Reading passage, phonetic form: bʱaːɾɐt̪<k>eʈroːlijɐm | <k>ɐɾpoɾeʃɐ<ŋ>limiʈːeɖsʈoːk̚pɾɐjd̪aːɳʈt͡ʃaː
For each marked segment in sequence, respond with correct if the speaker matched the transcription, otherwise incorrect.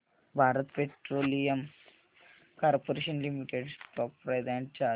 incorrect: p, correct, incorrect: n

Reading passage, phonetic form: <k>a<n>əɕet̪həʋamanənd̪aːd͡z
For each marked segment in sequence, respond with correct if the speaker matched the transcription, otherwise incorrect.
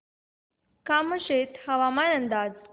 correct, incorrect: m

